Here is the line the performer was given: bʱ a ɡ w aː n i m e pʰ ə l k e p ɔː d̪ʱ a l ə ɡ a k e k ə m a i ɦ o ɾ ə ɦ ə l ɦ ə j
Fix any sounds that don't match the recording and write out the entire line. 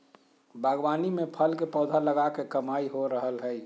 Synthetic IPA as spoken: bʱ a ɡ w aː n i m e pʰ ə l k e p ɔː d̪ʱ a l ə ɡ a k e k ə m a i ɦ o ɾ ə ɦ ə l ɦ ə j